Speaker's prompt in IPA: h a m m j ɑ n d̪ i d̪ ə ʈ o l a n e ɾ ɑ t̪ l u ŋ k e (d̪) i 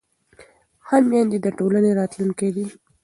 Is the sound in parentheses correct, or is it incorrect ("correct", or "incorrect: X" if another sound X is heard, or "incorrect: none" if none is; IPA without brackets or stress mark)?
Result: correct